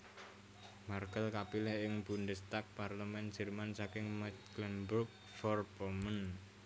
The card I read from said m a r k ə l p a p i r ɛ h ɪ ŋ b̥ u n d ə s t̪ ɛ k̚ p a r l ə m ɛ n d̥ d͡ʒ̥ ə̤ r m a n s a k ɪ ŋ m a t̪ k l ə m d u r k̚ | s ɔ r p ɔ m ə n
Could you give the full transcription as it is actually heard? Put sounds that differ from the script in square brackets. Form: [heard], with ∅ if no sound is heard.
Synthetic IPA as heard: m a r k ə l [k] a p i [l] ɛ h ɪ ŋ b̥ u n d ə s t̪ [a] k̚ p a r l ə m ɛ n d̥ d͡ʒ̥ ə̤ r m a n s a k ɪ ŋ m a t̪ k l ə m [b] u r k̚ | [f] ɔ r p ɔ m ə n